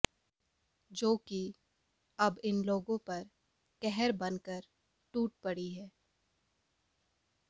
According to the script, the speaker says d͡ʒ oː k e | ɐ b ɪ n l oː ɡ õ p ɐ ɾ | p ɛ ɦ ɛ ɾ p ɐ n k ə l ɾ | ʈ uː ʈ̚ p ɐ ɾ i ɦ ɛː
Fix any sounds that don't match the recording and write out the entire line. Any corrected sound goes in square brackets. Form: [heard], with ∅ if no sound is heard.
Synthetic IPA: d͡ʒ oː k [i] | ɐ b ɪ n l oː ɡ õ p ɐ ɾ | [k] ɛ ɦ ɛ ɾ [b] ɐ n k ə [∅] ɾ | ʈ uː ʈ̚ p ɐ [ɽ] i ɦ ɛː

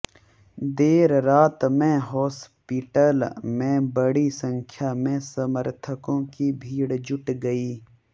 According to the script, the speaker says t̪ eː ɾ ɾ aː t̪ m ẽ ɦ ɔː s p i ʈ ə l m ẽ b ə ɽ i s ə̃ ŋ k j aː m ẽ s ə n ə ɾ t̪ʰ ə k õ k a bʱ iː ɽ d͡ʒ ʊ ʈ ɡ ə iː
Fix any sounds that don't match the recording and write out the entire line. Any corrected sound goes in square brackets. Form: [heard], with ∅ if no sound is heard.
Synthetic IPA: [d̪] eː ɾ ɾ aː t̪ m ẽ ɦ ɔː s p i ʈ ə l m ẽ b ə ɽ i s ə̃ ŋ [kʰ] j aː m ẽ s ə [m] ə ɾ t̪ʰ ə k õ k [i] bʱ iː ɽ d͡ʒ ʊ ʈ ɡ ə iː

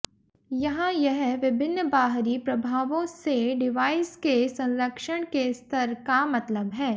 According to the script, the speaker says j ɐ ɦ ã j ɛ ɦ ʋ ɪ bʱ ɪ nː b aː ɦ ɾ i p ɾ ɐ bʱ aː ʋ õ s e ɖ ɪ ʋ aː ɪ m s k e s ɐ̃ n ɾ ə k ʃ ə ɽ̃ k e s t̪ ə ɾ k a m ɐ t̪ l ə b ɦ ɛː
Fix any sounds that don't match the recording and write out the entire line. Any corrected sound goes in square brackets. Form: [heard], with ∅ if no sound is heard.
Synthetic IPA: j ɐ ɦ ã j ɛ ɦ ʋ ɪ bʱ ɪ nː b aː ɦ ɾ i p ɾ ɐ bʱ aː ʋ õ s e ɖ ɪ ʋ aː ɪ [∅] s k e s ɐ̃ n ɾ ə k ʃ ə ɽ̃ k e s t̪ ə ɾ k a m ɐ t̪ l ə b ɦ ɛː

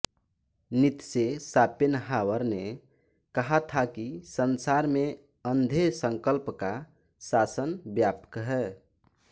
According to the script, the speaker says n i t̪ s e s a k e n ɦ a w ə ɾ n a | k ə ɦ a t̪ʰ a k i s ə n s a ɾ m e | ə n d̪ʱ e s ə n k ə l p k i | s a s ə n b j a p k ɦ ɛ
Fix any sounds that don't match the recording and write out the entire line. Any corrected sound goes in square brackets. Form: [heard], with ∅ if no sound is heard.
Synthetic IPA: n i t̪ s e s a [p] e n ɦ a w ə ɾ n [e] | k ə ɦ a t̪ʰ a k i s ə n s a ɾ m e | ə n d̪ʱ e s ə [ŋ] k ə l p k [a] | s a s ə n b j a p k ɦ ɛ

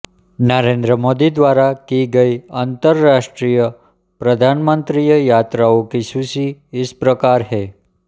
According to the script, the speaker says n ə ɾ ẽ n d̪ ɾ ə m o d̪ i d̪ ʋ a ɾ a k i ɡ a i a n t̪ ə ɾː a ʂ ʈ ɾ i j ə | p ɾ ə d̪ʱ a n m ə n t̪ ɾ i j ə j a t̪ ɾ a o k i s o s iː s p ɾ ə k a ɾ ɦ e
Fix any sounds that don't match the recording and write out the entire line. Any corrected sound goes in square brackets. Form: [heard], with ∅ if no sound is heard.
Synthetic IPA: n ə ɾ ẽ n d̪ ɾ ə m o d̪ i d̪ ʋ a ɾ a k i ɡ [ə] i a n t̪ ə ɾː a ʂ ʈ ɾ i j ə | p ɾ ə d̪ʱ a n m ə n t̪ ɾ i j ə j a t̪ ɾ a o k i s [u] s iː s p ɾ ə k a ɾ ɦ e

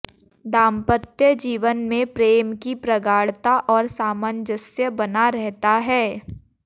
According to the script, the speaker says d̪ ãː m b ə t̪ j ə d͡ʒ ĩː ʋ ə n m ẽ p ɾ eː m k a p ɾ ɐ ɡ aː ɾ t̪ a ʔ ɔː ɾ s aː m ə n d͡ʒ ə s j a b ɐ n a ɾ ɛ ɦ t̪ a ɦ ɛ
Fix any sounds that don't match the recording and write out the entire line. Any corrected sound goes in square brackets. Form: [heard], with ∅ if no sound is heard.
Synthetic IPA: d̪ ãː m [p] ə t̪ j ə d͡ʒ [iː] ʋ ə n m ẽ p ɾ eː m k [i] p ɾ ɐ ɡ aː [ɽ] t̪ a ʔ ɔː ɾ s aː m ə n d͡ʒ ə s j [ə] b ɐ n a ɾ ɛ ɦ t̪ a ɦ [ɛː]

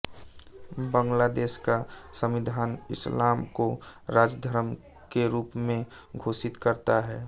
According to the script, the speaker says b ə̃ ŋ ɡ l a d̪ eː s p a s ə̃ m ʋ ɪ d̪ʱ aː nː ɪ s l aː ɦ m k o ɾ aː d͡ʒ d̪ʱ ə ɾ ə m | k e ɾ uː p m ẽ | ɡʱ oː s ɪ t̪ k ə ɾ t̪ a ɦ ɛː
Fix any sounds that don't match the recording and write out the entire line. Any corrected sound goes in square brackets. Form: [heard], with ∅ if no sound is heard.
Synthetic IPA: b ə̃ ŋ ɡ l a d̪ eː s [k] a s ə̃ m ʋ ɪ d̪ʱ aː [n] ɪ s l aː [∅] m k o ɾ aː d͡ʒ d̪ʱ ə ɾ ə m | k e ɾ uː p m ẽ | ɡʱ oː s ɪ t̪ k ə ɾ t̪ a ɦ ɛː

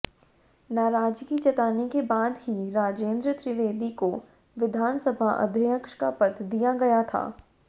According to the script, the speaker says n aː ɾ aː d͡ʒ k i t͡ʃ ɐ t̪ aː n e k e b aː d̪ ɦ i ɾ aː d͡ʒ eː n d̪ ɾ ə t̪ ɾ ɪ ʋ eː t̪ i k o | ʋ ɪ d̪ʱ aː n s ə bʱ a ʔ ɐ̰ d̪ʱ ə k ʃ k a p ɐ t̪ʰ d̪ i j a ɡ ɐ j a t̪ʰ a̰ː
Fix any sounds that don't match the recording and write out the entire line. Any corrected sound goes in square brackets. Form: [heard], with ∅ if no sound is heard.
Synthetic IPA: n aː ɾ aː d͡ʒ k i t͡ʃ ɐ t̪ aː n e k e b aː d̪ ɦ i ɾ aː d͡ʒ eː n d̪ ɾ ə t̪ ɾ ɪ ʋ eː [d̪] i k o | ʋ ɪ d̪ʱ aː n s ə bʱ a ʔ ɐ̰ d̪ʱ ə k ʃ k a p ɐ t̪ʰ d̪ i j a ɡ ɐ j a t̪ʰ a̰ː

